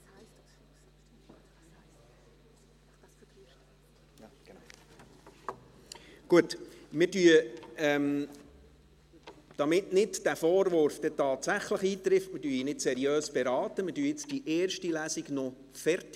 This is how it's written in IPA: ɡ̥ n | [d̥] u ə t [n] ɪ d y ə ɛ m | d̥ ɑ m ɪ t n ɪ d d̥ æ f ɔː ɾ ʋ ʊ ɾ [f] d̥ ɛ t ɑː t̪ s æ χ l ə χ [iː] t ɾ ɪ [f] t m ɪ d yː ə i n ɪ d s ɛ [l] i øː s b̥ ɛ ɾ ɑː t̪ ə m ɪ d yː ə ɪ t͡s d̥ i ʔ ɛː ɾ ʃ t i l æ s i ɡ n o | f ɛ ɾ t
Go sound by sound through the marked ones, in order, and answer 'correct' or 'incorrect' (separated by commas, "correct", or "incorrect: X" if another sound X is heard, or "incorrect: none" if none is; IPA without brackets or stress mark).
incorrect: ɡ̥, incorrect: m, correct, correct, correct, incorrect: ɾ